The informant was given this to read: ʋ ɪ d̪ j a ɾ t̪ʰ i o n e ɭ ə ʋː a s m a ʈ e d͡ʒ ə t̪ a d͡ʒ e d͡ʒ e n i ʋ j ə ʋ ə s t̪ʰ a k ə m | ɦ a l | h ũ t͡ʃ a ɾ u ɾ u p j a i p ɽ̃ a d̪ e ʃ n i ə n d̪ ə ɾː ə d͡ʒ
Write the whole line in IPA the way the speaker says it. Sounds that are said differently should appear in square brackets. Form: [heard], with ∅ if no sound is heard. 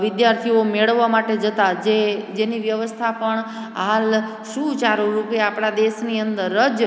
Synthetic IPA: ʋ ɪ d̪ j a ɾ t̪ʰ i o [m] e ɭ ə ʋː a [∅] m a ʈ e d͡ʒ ə t̪ a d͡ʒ e d͡ʒ e n i ʋ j ə ʋ ə s t̪ʰ a [p] ə [ɳ] | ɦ a l | [ʃ] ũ t͡ʃ a ɾ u ɾ u p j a [a] p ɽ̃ a d̪ e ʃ n i ə n d̪ ə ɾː ə d͡ʒ